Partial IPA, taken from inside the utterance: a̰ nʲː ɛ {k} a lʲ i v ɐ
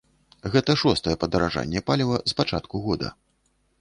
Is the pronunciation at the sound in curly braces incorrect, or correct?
incorrect